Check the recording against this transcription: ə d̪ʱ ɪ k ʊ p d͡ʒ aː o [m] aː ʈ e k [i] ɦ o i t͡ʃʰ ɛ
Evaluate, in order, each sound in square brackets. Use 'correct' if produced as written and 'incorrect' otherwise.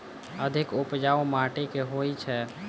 correct, incorrect

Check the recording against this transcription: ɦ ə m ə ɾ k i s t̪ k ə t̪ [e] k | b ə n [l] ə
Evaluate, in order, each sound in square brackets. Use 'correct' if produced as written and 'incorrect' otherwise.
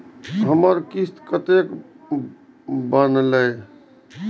correct, correct

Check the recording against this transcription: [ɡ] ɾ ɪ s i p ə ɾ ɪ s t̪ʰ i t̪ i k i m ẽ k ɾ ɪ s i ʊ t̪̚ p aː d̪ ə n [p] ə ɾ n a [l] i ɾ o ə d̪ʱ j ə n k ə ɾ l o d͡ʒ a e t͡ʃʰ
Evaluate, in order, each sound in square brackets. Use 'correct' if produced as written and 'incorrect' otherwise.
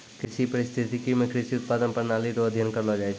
incorrect, correct, correct

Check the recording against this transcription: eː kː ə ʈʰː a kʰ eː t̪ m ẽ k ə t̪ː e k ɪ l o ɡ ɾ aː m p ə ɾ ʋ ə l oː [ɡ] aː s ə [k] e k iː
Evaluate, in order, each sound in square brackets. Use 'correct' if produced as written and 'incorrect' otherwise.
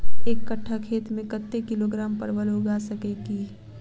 correct, correct

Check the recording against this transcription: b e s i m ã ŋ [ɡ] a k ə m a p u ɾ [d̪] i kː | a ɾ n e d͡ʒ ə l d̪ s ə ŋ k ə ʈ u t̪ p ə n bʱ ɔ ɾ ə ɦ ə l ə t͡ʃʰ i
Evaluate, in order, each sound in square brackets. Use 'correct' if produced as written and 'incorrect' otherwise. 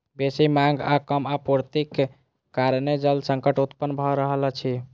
correct, incorrect

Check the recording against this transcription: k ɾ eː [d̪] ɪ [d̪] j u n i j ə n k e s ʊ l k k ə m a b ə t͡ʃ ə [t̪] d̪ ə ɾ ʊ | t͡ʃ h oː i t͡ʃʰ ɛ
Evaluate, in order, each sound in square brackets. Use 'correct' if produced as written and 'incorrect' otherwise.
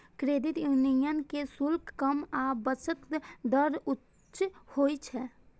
correct, incorrect, correct

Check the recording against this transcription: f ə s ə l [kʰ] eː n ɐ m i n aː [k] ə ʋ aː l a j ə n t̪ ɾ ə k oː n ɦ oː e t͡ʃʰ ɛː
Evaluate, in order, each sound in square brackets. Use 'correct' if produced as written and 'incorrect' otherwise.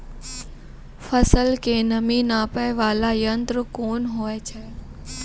incorrect, incorrect

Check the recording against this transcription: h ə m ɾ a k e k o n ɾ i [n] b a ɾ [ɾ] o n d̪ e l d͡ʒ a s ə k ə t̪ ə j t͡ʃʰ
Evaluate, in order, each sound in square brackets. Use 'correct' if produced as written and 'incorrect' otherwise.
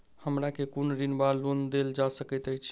correct, incorrect

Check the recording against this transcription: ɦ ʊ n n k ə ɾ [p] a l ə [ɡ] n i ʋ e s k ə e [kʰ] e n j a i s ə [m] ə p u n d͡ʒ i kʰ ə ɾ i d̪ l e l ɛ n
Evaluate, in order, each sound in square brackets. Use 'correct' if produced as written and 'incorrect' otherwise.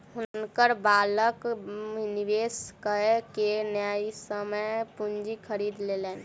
incorrect, incorrect, incorrect, correct

